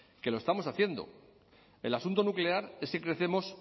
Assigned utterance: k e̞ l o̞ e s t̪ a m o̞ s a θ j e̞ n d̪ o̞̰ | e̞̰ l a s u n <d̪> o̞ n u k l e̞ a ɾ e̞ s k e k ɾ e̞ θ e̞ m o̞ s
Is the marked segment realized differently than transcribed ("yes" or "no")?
yes